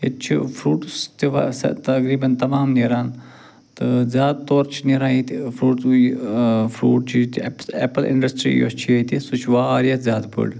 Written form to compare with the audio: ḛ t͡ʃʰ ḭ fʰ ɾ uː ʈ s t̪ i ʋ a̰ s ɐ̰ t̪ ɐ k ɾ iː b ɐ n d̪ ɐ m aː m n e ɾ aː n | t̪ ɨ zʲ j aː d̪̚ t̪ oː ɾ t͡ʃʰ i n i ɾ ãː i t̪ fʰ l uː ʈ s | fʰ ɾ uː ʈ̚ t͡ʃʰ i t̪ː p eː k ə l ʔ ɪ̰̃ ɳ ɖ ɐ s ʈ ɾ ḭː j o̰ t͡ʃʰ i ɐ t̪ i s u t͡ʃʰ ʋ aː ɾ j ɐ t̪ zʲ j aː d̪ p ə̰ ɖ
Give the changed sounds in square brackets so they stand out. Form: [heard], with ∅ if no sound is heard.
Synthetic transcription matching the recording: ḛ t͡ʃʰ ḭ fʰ ɾ uː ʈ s t̪ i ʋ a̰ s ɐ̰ t̪ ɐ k ɾ iː b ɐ n [t̪] ɐ m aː m n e ɾ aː n | t̪ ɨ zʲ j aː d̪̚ t̪ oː ɾ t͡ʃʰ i n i ɾ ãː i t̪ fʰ [ɾ] uː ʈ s | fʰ ɾ uː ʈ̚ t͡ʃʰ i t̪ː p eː [p] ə l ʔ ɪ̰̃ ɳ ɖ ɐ s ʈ ɾ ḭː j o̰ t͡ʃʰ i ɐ t̪ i s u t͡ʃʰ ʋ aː ɾ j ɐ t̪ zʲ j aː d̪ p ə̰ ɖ